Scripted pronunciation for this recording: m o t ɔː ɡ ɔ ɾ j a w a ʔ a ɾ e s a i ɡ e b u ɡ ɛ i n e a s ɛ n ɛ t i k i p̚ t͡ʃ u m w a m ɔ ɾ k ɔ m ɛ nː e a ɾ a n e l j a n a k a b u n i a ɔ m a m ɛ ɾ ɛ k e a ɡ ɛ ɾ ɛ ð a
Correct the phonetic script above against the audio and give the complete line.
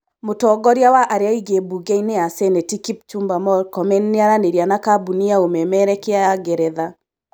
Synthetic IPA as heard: m o t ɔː ɡ ɔ ɾ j a w a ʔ a ɾ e a i ɡ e b u ɡ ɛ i n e a s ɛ n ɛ t i k i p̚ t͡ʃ u m b a m ɔ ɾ k ɔ m ɛ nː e a ɾ a n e ɾ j a n a k a b u n i a o m ɛ m ɛ ɾ ɛ k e a ɡ ɛ ɾ ɛ ð a

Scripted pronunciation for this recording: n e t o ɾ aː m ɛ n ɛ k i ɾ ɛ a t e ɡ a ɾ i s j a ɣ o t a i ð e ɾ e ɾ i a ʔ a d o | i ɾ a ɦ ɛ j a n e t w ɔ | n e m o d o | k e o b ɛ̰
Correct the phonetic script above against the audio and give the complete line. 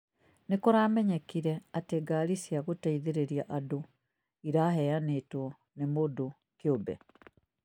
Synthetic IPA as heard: n e k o ɾ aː m ɛ ɲ ɛ k i ɾ ɛ a t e ɡ a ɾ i s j a ɣ o t a i ð e ɾ e ɾ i a ʔ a d o | i ɾ a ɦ ɛ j a n e t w ɔ | n e m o d o | k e o b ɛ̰

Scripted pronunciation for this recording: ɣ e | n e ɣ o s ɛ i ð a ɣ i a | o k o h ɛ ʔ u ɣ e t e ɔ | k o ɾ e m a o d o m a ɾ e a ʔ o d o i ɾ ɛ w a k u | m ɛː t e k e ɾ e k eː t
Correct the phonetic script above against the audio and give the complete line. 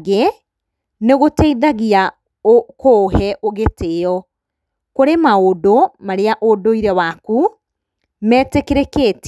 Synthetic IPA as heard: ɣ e | n e ɣ o t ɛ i ð a ɣ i a | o k o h ɛ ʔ o ɣ e t e ɔ | k o ɾ e m a o d o m a ɾ e a ʔ o d o i ɾ ɛ w a k u | m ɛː t e k e ɾ e k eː t

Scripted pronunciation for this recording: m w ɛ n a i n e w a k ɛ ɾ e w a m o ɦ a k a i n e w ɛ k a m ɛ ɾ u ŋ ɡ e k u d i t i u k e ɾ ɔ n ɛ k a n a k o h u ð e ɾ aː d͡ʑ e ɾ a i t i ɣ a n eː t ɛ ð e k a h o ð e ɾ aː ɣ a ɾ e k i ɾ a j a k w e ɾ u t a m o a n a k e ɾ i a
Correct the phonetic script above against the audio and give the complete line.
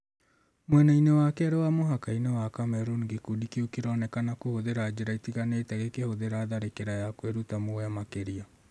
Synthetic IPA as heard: m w ɛ n a i n e w a k ɛ ɾ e w a m o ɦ a k a i n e w a k a m ɛ ɾ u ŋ ɡ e k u d i k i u k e ɾ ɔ n ɛ k a n a k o h o ð e ɾ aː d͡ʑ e ɾ a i t i ɣ a n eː t ɛ ɣ e k e h o ð e ɾ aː ð a ɾ e k e ɾ a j a k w e ɾ u t a m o a m a k e ɾ i a

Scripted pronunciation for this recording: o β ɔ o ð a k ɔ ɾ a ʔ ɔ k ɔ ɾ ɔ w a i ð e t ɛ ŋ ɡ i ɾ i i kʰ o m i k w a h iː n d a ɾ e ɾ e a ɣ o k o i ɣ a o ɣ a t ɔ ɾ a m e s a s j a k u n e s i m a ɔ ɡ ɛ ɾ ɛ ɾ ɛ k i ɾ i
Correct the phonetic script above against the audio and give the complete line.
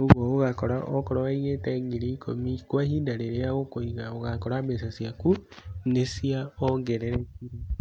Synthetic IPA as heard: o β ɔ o ɣ a k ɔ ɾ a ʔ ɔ k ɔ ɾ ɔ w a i ɣ e t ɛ ŋ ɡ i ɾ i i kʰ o m i k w a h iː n d a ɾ e ɾ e a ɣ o k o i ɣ a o ɣ a k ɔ ɾ a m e s a s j a k u n e s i a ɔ ɡ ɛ ɾ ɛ ɾ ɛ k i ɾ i

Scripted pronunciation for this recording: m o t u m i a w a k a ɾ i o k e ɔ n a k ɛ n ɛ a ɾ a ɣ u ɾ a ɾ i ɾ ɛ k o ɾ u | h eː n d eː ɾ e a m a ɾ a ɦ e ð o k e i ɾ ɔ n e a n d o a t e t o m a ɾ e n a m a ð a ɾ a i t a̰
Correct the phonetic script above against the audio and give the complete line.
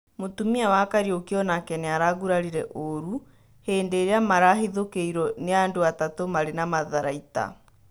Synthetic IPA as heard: m o t u m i a w a k a ɾ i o k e ɔ n a k ɛ n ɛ a ɾ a ɣ u ɾ a ɾ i ɾ ɛ ʔ o ɾ u | h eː n d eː ɾ e a m a ɾ a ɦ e ð o k e i ɾ ɔ n e a n d o a t a t o m a ɾ e n a m a ð a ɾ a i t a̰

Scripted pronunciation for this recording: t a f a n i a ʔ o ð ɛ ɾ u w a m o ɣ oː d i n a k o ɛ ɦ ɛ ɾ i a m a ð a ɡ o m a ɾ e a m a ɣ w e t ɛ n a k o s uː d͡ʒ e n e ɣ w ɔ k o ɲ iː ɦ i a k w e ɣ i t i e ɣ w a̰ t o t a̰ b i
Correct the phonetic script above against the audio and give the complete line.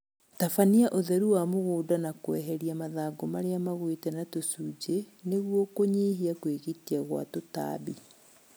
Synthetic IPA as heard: t a f a n i a ʔ o ð ɛ ɾ u w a m o ɣ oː d a n a k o ɛ ɦ ɛ ɾ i a m a ð a ɡ o m a ɾ e a m a ɣ w e t ɛ n a t o s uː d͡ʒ e n e ɣ w ɔ k o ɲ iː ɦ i a k w e ɣ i t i a ɣ w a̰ t o t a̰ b i

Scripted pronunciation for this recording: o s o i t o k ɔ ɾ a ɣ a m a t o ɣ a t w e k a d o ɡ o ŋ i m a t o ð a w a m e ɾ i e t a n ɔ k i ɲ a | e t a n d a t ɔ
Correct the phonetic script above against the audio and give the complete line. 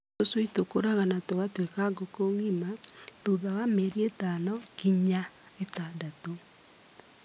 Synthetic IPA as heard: o s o i t o k o ɾ a ɣ a n a t o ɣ a t w e k a ɡ o k o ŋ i m a t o ð a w a m e ɾ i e t a n ɔ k i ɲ a | e t a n d a t o

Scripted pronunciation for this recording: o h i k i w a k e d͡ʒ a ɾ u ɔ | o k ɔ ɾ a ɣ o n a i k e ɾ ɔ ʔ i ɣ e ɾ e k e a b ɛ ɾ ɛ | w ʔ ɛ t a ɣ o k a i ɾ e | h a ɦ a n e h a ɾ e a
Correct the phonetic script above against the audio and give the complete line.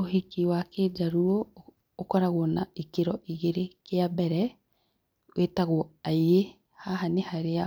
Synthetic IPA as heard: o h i k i w a k e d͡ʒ a ɾ u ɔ | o k ɔ ɾ a ɣ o n a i k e ɾ ɔ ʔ i ɣ e ɾ e k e a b ɛ ɾ ɛ | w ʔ e t a ɣ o a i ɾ e | h a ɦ a n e h a ɾ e a

